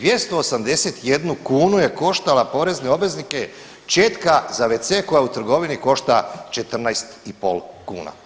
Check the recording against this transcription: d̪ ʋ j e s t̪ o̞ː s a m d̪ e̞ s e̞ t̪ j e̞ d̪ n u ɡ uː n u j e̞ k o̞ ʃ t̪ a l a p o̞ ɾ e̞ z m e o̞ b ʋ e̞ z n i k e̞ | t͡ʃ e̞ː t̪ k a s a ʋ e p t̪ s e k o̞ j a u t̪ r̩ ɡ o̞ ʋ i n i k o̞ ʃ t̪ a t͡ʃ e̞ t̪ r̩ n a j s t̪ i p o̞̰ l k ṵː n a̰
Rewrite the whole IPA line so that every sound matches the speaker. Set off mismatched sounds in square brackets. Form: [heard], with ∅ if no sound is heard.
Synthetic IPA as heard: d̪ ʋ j e s t̪ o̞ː s a m d̪ e̞ s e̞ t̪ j e̞ d̪ n u [k] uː n u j e̞ k o̞ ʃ t̪ a l a p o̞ ɾ e̞ z [n] e o̞ b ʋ e̞ z n i k e̞ | t͡ʃ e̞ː t̪ k a [z] a ʋ e [∅] t̪ s e k o̞ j a u t̪ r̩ ɡ o̞ ʋ i n i k o̞ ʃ t̪ a t͡ʃ e̞ t̪ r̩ n a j s t̪ i p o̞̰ l k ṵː n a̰